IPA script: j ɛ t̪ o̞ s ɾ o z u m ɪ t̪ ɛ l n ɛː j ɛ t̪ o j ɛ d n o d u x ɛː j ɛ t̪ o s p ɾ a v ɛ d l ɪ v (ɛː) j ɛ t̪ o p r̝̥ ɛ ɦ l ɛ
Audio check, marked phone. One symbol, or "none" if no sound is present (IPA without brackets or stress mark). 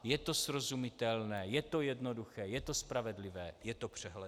ɛː